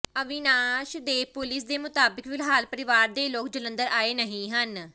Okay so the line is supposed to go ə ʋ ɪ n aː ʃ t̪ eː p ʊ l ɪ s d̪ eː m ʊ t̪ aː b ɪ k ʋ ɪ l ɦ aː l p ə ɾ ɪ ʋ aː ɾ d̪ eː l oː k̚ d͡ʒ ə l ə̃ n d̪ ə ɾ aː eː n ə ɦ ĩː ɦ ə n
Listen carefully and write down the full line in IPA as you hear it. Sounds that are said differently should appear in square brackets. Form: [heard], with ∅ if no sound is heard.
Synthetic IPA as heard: ə ʋ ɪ n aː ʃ [d̪] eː p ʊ l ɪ s d̪ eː m ʊ t̪ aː b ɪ k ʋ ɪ l ɦ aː l p ə ɾ ɪ ʋ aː ɾ d̪ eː l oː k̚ d͡ʒ ə l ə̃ n d̪ ə ɾ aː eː n ə ɦ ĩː ɦ ə n